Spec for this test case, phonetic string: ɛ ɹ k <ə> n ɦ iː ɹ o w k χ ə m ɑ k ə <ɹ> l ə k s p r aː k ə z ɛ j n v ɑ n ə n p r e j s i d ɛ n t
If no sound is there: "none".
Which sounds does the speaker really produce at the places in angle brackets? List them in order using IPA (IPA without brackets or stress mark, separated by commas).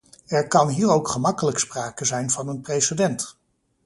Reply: ɑ, none